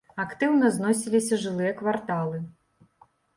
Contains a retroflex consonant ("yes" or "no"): yes